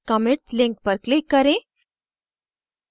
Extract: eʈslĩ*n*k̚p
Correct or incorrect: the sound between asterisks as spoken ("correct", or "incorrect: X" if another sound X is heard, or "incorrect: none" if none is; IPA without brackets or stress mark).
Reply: incorrect: ŋ